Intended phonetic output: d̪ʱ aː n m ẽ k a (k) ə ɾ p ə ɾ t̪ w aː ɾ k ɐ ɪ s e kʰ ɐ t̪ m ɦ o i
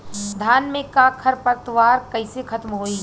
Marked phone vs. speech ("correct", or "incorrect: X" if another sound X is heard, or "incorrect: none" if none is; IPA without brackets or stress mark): incorrect: kʰ